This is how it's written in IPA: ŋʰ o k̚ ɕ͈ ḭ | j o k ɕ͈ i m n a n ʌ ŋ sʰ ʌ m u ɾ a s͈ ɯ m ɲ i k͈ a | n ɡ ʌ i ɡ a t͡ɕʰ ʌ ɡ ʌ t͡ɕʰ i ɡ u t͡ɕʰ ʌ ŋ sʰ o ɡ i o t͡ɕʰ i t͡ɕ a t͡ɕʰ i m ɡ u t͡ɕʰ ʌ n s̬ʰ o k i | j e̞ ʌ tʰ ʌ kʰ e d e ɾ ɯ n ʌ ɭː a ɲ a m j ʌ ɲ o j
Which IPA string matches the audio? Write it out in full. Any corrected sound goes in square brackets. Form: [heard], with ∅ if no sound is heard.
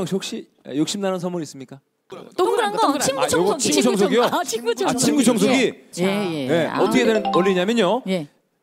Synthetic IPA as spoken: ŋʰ o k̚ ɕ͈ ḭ | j o k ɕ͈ i m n a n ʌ [n] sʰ ʌ m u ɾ [i] s͈ ɯ m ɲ i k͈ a | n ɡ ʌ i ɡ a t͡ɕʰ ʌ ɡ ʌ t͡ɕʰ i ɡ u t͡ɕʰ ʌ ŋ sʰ o ɡ i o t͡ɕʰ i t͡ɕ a t͡ɕʰ i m ɡ u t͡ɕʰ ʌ [ŋ] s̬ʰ o [ɡ] i | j e̞ ʌ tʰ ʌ kʰ e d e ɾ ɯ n ʌ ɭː [i] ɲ a m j ʌ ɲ o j